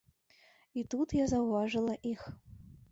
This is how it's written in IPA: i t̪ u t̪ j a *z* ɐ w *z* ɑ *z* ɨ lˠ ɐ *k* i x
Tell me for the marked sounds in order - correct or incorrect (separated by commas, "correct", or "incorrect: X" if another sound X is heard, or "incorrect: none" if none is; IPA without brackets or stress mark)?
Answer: correct, incorrect: v, incorrect: ʐ, incorrect: ʔ